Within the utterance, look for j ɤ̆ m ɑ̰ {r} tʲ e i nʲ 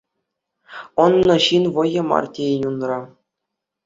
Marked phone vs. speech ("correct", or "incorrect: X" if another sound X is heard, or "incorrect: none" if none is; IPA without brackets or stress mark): correct